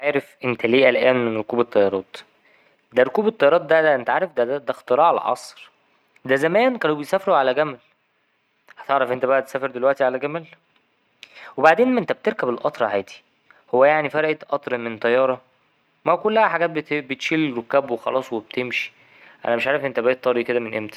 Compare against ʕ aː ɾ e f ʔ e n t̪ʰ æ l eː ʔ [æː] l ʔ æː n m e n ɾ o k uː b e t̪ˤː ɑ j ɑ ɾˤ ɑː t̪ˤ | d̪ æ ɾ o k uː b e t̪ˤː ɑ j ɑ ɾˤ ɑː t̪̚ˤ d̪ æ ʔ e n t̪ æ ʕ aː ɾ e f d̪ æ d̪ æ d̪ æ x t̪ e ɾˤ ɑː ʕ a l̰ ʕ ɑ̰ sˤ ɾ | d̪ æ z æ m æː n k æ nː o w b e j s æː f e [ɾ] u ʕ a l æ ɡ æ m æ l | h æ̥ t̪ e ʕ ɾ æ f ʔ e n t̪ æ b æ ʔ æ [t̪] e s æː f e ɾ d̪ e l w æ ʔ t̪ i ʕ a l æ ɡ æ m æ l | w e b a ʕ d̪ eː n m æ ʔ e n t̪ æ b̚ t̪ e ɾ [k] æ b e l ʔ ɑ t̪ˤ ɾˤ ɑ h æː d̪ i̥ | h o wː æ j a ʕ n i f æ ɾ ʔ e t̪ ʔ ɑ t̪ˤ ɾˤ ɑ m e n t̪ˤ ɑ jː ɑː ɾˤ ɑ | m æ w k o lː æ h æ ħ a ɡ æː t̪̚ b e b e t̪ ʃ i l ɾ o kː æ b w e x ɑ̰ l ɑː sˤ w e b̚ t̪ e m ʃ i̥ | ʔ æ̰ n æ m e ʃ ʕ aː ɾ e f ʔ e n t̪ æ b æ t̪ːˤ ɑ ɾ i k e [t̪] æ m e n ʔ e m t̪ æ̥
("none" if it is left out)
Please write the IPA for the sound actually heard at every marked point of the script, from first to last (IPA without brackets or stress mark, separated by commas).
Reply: æ, ɾ, t̪, k, d̪